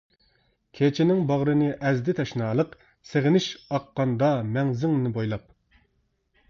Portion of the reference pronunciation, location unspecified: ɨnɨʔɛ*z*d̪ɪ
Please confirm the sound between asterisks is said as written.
yes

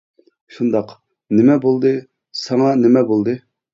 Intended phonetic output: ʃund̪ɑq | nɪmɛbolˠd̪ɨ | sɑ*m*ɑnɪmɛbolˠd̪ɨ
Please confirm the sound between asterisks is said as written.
no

